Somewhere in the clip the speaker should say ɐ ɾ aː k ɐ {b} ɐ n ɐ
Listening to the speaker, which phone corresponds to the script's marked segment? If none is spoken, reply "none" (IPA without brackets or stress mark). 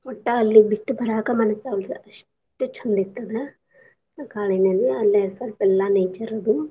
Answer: m